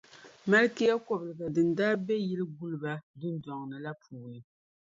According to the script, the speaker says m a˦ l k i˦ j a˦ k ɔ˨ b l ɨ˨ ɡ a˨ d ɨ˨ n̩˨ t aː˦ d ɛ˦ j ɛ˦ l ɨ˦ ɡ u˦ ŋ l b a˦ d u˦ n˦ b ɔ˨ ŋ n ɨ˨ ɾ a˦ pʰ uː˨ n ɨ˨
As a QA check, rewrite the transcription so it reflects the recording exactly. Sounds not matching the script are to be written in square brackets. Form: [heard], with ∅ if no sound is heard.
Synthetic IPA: m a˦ l k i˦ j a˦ k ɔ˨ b l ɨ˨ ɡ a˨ d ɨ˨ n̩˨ [d] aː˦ [b] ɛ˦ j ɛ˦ l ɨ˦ ɡ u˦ [∅] l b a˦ d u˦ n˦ [d] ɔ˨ ŋ n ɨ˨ [l] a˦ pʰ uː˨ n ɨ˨